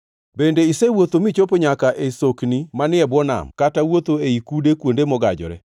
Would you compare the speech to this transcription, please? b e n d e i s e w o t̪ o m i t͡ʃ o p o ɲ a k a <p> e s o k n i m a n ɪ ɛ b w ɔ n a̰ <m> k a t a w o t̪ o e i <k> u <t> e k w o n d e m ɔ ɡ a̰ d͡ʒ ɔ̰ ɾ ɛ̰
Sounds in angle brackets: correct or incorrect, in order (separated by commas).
incorrect, correct, correct, incorrect